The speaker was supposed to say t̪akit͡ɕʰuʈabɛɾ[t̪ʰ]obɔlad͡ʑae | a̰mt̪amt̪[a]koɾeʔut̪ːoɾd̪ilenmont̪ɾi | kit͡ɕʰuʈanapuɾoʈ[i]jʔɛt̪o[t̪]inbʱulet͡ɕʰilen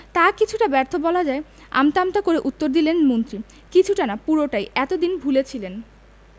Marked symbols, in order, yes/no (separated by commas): yes, yes, no, no